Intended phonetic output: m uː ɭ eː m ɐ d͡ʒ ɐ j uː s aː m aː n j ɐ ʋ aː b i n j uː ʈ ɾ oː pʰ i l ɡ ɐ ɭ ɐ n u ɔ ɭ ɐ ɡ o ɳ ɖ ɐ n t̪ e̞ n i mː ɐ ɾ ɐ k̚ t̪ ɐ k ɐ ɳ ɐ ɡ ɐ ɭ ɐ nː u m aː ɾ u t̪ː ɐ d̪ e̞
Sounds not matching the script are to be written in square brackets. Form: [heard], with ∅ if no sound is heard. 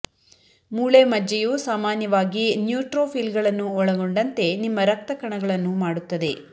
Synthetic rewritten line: m uː ɭ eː m ɐ d͡ʒ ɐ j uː s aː m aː n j ɐ ʋ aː [ɡ] i n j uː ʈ ɾ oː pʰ i l ɡ ɐ ɭ ɐ [nː] u ɔ ɭ ɐ ɡ o ɳ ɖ ɐ n t̪ e̞ n i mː ɐ ɾ ɐ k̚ t̪ ɐ k ɐ ɳ ɐ ɡ ɐ ɭ ɐ nː u m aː [ɽ] u t̪ː ɐ d̪ e̞